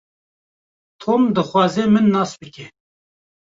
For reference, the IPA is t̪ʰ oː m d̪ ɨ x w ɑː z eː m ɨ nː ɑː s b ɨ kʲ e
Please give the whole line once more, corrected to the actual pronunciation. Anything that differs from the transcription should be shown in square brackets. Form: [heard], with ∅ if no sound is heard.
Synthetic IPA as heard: t̪ʰ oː m d̪ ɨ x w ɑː z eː m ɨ nː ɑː s b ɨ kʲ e